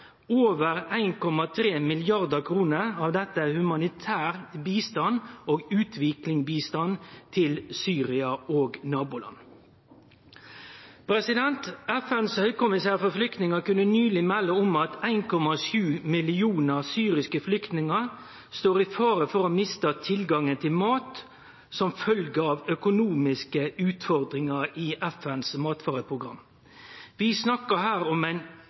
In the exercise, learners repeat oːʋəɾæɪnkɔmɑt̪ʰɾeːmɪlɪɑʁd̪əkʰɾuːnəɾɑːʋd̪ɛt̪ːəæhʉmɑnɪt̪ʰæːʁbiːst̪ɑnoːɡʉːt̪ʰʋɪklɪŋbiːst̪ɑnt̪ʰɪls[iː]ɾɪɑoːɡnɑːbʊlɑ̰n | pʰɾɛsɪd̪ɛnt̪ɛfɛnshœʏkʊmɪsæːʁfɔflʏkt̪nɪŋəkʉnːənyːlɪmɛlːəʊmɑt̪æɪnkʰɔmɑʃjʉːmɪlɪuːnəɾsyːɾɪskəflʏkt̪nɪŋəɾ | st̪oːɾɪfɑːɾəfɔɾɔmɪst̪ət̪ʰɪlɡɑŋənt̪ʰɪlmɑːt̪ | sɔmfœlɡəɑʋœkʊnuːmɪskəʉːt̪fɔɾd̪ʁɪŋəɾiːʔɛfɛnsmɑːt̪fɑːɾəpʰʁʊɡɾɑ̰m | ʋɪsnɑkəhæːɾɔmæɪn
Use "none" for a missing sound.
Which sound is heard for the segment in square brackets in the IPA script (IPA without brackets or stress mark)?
yː